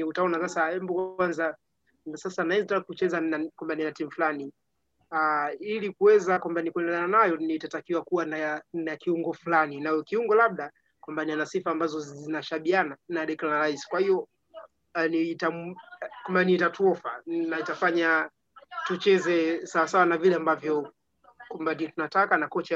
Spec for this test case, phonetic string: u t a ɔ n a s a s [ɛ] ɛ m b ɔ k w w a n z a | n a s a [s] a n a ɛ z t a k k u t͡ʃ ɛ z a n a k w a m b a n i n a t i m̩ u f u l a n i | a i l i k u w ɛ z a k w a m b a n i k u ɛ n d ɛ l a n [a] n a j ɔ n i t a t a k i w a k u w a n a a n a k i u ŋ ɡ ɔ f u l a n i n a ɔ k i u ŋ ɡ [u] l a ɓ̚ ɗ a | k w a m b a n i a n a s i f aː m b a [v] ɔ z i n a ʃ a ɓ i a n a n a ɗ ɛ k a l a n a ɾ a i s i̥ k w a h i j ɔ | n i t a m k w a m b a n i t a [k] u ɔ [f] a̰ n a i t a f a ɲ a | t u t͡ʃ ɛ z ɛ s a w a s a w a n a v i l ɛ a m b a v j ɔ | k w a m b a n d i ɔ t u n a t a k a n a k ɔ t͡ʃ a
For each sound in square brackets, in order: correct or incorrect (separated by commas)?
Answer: incorrect, correct, correct, incorrect, incorrect, incorrect, correct